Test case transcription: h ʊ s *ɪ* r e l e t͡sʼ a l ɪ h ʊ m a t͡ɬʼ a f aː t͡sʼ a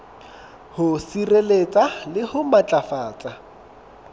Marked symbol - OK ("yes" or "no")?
no